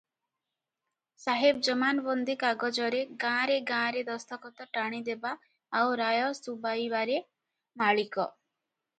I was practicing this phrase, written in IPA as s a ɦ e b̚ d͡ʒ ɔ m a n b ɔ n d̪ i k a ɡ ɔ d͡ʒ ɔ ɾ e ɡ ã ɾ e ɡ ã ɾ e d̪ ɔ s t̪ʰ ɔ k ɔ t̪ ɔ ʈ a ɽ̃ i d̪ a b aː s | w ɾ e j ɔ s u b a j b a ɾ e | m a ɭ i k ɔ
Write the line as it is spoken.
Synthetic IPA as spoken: s a ɦ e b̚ d͡ʒ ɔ m a n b ɔ n d̪ i k a ɡ ɔ d͡ʒ ɔ ɾ e ɡ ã ɾ e ɡ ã ɾ e d̪ ɔ s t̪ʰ ɔ k ɔ t̪ ɔ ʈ a ɽ̃ i d̪ e b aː | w ɾ a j ɔ s u b a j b a ɾ e | m a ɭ i k ɔ